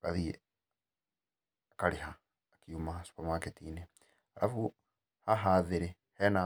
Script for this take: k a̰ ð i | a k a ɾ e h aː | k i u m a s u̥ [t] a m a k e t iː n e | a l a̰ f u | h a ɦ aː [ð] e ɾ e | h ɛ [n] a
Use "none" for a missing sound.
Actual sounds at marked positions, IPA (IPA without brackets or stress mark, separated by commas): p, ð, n